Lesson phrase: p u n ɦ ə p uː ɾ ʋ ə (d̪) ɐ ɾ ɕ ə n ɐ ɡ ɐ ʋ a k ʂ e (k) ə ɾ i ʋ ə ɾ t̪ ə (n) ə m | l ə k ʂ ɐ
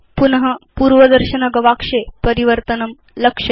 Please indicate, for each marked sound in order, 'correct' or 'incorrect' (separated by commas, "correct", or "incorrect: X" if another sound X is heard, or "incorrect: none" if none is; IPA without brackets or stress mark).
correct, incorrect: p, correct